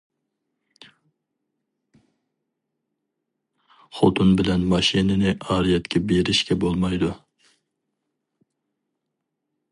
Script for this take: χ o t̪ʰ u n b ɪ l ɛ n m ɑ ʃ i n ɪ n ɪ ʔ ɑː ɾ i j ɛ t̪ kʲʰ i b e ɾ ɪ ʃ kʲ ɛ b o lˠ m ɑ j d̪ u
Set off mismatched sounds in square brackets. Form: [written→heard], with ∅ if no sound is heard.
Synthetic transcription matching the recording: χ o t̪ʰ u n b ɪ l ɛ n m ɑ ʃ i n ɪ n ɪ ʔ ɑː ɾ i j ɛ t̪ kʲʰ [i→ɛ] b e ɾ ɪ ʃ kʲ ɛ b o lˠ m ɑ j d̪ u